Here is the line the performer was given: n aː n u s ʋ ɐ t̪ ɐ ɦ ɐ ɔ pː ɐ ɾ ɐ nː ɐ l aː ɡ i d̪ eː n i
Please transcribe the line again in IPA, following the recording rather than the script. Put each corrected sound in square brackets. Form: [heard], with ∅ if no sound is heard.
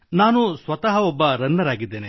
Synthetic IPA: n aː n u s ʋ ɐ t̪ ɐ ɦ ɐ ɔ [bː] ɐ ɾ ɐ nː ɐ [ɾ] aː ɡ i [d̪ː] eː n [e]